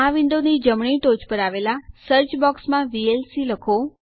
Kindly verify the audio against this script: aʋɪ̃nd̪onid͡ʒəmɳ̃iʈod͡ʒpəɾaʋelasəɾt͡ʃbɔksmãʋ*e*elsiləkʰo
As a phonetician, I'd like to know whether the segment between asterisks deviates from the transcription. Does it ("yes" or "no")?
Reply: yes